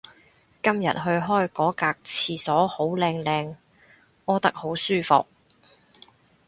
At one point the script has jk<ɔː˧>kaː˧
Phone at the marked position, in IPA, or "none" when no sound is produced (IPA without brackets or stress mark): ɔː˨˥